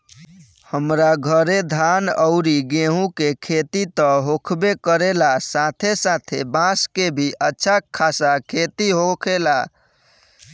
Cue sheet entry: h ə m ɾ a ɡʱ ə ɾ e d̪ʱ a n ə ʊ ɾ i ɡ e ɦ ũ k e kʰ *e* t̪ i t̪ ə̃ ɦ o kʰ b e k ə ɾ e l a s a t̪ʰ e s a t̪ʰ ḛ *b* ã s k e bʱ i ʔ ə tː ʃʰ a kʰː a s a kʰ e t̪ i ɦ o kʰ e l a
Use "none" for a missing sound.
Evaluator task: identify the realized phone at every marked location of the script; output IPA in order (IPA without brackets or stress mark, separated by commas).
e, b